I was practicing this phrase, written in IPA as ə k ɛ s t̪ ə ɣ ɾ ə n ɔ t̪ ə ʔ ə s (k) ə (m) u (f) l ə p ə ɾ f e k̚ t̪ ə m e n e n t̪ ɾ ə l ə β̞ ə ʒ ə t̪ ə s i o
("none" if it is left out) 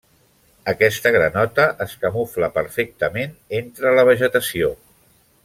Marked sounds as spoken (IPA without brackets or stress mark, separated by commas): k, m, f